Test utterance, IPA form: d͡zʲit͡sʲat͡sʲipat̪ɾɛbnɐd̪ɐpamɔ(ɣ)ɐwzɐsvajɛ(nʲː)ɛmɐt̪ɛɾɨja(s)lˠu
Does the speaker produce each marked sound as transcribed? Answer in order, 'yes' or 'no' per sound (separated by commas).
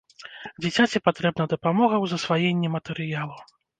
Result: yes, yes, no